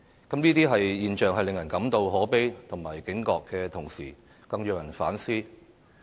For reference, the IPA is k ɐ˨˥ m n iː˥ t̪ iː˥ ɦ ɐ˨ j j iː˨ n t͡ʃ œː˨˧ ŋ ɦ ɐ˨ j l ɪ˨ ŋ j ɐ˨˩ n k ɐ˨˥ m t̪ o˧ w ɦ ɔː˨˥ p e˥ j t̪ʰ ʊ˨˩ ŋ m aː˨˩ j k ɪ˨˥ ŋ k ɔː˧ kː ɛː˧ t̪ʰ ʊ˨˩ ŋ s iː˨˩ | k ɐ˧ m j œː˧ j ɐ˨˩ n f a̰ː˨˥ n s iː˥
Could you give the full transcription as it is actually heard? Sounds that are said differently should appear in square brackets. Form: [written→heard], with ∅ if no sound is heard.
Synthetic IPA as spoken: k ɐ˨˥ m n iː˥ t̪ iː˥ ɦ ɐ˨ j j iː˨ n t͡ʃ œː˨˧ ŋ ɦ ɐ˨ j l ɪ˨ ŋ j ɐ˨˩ n k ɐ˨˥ m t̪ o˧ w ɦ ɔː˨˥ p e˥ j t̪ʰ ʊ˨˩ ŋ m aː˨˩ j k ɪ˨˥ ŋ k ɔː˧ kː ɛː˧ t̪ʰ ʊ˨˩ ŋ s iː˨˩ | k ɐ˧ [m→ŋ] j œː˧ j ɐ˨˩ n f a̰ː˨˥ n s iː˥